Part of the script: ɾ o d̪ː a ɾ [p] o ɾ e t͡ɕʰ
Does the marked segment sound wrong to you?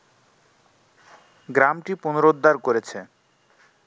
yes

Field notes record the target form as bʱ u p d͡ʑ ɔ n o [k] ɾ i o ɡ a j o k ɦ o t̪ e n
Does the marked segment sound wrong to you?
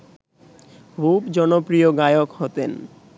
yes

